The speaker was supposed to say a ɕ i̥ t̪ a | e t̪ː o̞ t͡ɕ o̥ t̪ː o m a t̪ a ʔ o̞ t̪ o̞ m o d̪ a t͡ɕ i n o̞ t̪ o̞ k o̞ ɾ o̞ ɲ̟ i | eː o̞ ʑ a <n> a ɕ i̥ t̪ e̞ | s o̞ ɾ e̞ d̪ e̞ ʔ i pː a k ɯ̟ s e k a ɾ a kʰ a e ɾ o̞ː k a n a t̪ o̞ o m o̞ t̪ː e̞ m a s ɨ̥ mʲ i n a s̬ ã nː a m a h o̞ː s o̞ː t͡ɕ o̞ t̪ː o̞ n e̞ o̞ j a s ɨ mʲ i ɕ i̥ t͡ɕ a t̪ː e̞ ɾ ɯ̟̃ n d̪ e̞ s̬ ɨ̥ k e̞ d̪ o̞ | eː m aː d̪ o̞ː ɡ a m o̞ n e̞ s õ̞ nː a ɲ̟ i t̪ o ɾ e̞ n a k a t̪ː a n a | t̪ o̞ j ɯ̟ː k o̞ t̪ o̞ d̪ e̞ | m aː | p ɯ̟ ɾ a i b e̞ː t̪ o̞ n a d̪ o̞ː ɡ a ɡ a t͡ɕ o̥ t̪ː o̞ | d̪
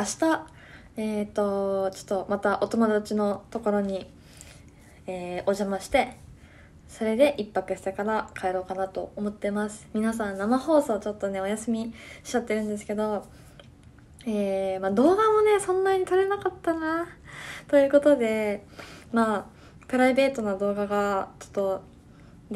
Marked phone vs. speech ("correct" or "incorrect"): incorrect